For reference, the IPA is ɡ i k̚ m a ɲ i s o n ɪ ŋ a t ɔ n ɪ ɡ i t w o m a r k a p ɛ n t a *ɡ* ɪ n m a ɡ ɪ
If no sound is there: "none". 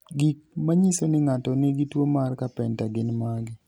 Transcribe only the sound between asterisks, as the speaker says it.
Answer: ɡ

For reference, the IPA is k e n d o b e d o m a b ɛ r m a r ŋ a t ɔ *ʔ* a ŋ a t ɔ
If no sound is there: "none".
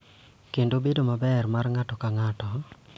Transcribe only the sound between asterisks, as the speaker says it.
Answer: k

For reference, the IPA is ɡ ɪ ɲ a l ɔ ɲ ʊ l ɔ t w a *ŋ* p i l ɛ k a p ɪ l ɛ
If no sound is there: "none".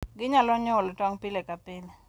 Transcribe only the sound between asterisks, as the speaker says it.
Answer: ŋ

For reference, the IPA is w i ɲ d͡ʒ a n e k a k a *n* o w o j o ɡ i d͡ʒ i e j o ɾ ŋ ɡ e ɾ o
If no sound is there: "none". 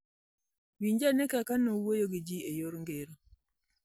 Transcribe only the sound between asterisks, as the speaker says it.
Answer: n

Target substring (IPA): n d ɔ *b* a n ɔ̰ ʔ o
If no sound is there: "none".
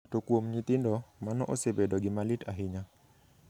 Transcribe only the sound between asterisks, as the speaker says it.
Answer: m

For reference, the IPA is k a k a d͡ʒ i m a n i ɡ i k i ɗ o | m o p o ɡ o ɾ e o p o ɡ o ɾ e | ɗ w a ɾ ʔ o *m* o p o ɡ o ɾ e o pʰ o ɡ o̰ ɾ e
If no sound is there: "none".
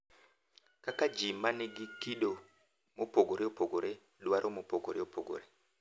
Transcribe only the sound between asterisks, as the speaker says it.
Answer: m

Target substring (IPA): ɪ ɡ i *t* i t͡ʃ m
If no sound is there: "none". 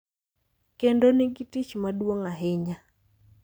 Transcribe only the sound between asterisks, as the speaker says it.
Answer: t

